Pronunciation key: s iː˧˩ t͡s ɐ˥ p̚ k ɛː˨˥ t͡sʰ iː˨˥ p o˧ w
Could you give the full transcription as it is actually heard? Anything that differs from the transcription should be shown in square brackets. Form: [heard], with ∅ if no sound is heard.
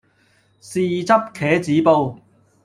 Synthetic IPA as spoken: s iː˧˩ t͡s ɐ˥ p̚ [kʰ] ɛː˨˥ [t͡s] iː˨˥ p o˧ w